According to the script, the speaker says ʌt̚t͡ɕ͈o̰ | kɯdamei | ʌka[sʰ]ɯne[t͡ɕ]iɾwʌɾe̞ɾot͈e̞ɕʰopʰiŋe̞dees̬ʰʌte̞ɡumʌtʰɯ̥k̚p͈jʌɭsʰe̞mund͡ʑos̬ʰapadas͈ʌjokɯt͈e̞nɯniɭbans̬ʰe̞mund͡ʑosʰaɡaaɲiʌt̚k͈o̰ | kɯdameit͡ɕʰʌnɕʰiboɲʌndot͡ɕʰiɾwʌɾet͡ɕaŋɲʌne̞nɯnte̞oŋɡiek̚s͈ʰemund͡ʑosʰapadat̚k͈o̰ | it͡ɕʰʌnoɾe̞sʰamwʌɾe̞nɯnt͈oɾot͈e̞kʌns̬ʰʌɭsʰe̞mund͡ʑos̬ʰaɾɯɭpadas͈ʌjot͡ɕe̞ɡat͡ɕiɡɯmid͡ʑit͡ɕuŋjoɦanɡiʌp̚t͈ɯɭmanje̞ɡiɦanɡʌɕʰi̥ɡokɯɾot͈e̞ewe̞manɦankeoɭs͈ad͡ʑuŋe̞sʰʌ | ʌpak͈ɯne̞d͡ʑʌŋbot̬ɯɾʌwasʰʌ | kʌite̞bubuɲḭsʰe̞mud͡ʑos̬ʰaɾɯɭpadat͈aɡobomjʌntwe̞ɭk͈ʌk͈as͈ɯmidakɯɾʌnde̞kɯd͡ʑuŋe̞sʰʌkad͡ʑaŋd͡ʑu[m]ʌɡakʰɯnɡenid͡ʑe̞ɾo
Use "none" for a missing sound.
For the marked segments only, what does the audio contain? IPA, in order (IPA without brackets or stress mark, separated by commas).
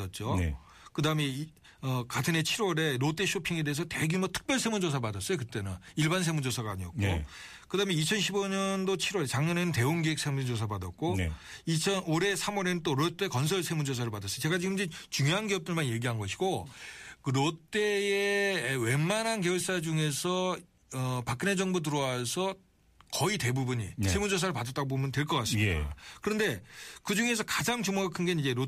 tʰ, t͡ɕʰ, m